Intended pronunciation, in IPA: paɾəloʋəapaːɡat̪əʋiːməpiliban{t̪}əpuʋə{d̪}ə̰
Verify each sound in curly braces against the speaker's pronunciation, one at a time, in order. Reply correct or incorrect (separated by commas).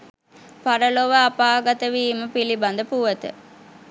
incorrect, incorrect